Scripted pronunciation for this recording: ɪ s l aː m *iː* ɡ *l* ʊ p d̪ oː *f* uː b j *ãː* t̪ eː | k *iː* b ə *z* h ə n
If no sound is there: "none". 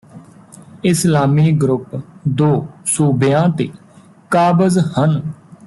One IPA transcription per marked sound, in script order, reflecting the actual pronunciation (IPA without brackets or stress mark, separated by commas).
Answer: iː, ɾ, s, ãː, aː, z